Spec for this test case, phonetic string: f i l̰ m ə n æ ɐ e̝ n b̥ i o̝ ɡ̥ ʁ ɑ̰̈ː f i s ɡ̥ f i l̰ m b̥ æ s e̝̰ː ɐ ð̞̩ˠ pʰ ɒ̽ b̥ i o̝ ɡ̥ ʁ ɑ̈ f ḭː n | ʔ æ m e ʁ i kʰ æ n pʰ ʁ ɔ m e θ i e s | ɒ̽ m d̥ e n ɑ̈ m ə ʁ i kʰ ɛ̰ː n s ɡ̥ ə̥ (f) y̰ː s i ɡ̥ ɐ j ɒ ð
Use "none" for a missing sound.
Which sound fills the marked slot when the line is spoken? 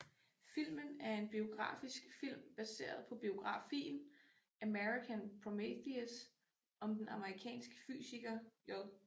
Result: f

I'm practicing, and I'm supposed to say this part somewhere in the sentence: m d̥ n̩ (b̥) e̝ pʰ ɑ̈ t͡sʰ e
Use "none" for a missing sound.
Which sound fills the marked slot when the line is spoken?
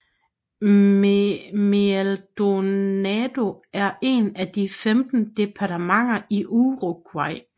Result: d̥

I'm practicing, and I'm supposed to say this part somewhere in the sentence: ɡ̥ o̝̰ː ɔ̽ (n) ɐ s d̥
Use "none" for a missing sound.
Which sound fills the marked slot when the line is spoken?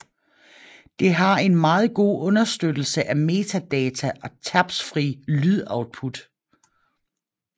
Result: n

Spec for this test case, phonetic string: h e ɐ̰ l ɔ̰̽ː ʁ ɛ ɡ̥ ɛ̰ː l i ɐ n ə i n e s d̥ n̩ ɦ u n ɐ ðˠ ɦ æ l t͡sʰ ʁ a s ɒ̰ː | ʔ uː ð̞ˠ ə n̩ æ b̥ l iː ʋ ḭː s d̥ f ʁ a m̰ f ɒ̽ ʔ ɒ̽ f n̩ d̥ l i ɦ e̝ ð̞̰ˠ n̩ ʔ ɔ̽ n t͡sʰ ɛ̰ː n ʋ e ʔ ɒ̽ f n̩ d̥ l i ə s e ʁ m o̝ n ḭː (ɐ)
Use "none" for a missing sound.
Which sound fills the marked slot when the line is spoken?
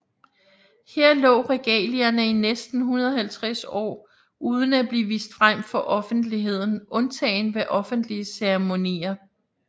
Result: ɐ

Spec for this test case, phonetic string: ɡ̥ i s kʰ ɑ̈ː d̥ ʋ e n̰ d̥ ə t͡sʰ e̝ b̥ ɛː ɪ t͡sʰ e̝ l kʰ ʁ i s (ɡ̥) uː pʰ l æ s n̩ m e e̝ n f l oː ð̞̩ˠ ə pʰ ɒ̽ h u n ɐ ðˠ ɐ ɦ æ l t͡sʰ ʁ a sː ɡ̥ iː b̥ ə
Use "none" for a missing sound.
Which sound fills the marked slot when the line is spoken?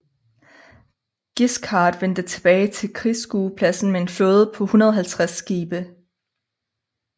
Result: ɡ̥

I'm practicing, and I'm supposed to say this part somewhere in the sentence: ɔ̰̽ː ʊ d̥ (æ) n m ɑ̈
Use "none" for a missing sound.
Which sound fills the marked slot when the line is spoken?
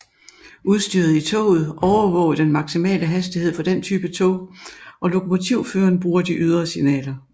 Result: e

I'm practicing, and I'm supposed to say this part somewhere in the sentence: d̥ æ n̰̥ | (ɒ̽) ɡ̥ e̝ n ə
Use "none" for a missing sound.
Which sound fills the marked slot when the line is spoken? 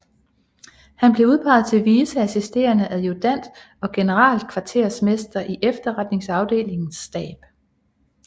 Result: ɒ̽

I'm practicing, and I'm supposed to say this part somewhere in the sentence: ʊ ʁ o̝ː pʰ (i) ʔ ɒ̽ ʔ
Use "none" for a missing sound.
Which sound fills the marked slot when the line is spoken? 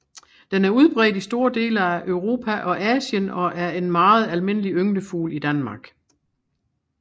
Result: æ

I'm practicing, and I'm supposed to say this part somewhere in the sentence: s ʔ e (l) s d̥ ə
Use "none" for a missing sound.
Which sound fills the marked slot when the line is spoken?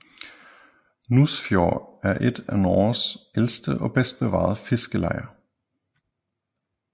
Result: l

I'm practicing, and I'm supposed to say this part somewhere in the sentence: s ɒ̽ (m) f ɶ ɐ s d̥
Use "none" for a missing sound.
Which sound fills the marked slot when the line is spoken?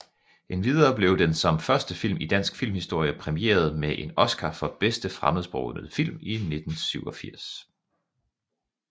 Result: m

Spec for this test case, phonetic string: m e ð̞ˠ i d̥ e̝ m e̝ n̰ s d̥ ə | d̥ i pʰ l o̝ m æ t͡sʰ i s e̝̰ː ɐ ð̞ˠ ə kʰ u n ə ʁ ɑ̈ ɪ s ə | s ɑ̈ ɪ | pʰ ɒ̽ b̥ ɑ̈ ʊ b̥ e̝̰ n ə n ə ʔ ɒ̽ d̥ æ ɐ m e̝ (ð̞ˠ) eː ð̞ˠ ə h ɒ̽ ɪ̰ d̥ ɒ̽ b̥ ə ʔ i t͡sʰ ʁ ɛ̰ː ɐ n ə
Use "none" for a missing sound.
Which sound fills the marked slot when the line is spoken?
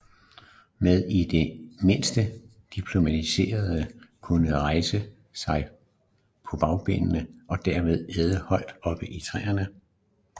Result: ð̞ˠ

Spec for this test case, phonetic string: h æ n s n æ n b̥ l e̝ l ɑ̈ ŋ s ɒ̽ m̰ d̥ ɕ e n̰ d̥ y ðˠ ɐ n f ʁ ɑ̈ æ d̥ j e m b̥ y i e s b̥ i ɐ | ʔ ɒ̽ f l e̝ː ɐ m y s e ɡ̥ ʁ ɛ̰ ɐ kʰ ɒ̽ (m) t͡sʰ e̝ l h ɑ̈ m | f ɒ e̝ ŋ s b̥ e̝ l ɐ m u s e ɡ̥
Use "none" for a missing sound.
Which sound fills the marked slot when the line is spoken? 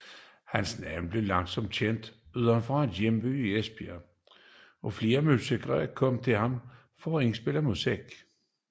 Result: m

